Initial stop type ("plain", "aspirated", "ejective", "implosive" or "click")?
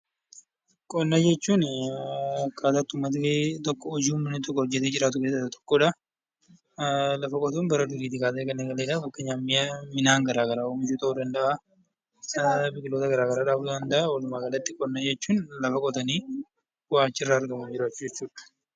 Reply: ejective